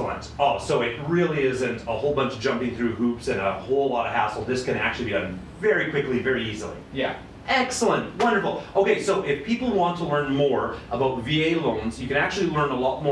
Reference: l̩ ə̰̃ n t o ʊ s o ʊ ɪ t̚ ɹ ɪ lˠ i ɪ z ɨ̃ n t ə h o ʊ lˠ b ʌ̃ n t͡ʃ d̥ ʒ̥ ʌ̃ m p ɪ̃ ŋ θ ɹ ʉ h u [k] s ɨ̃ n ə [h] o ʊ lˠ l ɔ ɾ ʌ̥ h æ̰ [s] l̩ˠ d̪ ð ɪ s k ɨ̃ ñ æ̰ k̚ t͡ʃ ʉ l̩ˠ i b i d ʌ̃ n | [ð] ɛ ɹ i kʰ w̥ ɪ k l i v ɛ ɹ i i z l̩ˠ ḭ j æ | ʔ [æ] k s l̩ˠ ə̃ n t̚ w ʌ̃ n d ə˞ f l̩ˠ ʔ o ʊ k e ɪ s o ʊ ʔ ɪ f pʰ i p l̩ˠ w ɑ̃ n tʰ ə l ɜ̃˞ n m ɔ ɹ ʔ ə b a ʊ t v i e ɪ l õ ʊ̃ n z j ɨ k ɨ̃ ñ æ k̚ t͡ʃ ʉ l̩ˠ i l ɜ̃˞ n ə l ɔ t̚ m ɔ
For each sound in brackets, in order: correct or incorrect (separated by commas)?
incorrect, correct, correct, incorrect, incorrect